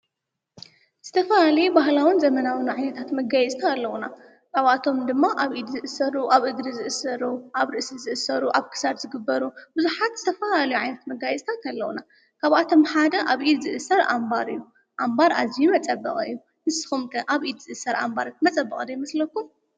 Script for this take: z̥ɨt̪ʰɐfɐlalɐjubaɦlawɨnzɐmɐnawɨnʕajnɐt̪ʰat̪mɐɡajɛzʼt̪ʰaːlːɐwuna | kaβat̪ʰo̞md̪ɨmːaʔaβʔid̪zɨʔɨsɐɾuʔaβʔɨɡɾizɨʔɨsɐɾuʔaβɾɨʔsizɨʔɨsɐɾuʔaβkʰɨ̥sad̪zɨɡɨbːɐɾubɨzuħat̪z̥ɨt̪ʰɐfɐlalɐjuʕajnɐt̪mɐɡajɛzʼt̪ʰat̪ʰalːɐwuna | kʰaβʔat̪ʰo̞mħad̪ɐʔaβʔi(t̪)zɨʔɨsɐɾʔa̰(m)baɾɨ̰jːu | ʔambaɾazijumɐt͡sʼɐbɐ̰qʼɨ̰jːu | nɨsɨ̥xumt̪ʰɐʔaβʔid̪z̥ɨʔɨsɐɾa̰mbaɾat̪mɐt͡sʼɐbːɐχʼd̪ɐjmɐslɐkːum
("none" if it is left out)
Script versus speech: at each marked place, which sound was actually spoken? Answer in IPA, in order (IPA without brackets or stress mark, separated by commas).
d̪, m